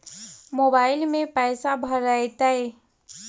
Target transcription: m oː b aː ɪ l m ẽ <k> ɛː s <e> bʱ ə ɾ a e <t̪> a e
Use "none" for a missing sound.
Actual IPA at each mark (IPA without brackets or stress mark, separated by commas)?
p, a, t̪